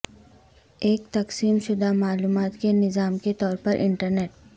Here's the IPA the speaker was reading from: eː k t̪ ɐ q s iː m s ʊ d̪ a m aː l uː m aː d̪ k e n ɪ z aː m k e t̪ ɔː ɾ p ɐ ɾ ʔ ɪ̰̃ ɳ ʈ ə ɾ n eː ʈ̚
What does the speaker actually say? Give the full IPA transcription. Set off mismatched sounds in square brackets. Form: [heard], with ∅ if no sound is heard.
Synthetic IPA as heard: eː k t̪ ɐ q s iː m [ʃ] ʊ d̪ a m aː l uː m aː [t̪] k e n ɪ z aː m k e t̪ ɔː ɾ p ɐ ɾ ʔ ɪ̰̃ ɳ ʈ ə ɾ n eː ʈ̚